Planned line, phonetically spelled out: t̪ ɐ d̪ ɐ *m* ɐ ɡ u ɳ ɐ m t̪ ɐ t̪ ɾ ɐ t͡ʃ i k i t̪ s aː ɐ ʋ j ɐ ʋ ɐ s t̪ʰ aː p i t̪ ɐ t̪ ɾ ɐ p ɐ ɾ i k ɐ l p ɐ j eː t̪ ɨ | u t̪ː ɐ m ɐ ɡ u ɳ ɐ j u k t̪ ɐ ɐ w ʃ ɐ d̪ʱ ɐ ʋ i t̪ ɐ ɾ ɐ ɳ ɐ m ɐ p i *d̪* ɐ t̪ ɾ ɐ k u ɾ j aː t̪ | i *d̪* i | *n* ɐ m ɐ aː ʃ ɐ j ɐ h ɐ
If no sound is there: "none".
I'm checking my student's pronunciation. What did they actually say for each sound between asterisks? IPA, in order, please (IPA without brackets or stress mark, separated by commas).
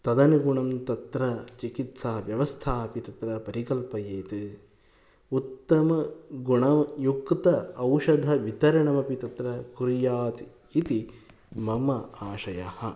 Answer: n, t̪, t̪, m